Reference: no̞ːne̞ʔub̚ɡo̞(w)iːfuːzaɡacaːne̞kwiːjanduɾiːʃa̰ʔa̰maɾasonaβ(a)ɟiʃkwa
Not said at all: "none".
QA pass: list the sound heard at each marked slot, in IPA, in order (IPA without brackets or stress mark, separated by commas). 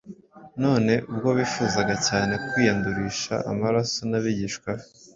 β, i